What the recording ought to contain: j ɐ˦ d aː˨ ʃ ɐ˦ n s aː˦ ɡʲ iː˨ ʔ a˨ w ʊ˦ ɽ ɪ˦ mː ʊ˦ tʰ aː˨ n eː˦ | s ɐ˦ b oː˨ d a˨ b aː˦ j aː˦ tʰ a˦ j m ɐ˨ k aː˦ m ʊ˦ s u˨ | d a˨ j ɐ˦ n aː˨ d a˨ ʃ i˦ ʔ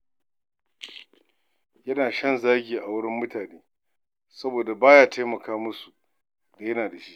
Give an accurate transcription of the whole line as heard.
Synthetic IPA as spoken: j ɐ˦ n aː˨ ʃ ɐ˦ n z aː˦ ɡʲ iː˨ ʔ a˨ w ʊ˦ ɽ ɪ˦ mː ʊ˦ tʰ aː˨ n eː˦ | s ɐ˦ b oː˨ d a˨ b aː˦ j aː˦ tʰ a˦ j m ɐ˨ k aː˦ m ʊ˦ s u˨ | d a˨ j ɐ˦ n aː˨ d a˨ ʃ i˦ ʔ